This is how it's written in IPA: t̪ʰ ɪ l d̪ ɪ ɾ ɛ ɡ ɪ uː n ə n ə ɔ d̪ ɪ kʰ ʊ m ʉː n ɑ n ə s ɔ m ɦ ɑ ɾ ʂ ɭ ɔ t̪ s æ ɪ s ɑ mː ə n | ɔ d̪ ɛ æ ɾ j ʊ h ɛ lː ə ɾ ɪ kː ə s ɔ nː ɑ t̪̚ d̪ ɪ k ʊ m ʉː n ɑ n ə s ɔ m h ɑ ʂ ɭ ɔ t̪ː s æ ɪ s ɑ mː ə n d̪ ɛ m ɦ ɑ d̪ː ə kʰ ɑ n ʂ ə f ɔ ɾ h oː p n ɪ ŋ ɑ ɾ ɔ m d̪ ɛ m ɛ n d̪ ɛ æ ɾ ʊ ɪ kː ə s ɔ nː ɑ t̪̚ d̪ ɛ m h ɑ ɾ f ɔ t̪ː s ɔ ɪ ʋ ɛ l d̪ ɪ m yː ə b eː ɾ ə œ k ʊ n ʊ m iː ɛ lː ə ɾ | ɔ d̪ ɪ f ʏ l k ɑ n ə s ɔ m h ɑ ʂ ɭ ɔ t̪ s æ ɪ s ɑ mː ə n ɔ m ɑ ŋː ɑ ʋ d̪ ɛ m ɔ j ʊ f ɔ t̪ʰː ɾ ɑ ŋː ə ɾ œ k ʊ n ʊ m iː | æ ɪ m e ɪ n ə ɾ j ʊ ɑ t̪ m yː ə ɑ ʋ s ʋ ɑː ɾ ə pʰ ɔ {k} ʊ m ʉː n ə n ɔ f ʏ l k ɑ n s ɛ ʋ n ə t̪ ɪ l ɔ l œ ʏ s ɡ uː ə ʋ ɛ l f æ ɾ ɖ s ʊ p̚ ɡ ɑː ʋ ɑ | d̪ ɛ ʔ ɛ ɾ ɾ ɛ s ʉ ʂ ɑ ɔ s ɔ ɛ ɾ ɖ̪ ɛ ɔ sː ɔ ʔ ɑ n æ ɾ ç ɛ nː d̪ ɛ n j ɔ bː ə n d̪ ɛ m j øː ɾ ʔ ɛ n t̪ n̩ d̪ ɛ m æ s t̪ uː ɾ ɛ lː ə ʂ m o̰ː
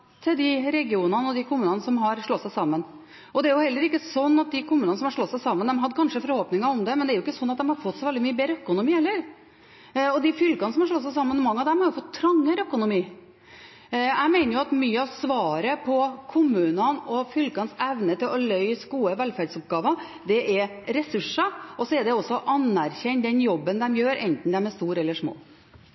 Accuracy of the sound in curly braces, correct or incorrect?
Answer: incorrect